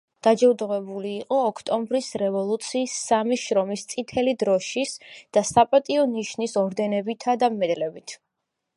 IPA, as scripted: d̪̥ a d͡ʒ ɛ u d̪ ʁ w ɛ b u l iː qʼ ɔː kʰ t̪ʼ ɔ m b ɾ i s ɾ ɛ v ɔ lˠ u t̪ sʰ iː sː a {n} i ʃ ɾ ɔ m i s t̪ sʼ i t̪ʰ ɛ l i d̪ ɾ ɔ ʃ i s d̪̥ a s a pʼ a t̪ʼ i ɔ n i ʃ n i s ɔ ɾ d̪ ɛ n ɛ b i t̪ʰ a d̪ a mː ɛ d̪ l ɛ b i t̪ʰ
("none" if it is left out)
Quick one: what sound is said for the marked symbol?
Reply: m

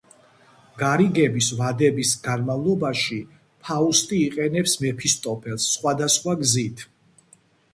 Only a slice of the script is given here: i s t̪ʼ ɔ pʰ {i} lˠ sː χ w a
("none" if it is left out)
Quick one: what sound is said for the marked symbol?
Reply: ɛ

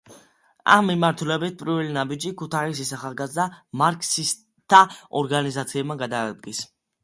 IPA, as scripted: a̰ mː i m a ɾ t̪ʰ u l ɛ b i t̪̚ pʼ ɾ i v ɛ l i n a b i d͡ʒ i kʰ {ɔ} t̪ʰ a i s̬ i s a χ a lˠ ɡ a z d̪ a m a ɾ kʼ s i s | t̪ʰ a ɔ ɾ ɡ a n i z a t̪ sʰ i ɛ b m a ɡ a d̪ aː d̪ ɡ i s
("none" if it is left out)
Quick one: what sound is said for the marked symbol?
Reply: u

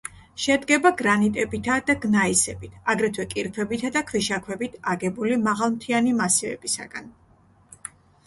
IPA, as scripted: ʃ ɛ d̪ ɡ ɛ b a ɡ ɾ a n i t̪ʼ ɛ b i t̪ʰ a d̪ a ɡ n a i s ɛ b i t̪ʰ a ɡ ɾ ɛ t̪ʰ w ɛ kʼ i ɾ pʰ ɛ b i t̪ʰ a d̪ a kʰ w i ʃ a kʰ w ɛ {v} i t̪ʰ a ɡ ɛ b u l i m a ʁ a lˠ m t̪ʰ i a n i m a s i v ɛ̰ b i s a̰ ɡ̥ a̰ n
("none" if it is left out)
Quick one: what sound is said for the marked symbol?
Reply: b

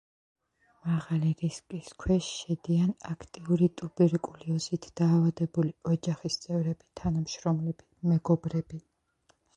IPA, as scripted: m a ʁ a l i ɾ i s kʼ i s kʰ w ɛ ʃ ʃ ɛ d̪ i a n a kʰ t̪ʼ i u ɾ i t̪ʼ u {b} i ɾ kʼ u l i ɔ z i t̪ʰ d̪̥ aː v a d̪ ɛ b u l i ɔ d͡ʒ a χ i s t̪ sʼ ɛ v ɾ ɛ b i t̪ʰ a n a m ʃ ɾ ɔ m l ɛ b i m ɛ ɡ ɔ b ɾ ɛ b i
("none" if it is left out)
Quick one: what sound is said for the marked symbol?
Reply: b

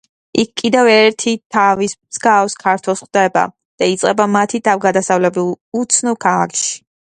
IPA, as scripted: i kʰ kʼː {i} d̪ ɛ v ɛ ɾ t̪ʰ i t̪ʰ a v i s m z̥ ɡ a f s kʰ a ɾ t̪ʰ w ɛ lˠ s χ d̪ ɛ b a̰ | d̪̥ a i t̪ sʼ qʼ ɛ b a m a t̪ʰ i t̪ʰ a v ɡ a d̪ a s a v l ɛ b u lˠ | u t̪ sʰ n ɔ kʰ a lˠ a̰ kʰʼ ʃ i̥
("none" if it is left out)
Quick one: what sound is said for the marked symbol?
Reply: i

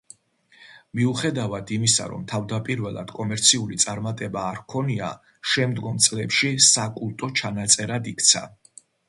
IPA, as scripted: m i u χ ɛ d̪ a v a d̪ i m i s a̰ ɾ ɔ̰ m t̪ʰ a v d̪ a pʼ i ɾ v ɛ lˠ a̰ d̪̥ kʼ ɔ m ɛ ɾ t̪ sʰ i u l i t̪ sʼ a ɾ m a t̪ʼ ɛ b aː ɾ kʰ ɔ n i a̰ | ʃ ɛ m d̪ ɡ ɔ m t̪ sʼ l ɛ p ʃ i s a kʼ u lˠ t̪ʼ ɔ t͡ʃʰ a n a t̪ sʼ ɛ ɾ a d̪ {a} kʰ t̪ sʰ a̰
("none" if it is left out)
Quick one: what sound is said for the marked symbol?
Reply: i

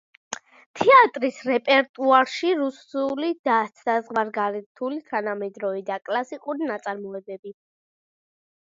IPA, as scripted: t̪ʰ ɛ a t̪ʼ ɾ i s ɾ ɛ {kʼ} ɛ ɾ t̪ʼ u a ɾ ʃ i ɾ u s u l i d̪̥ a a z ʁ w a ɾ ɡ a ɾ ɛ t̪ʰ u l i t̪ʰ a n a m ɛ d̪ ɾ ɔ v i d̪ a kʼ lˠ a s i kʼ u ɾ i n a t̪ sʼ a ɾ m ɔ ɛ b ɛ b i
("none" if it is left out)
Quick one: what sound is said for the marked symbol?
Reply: pʼ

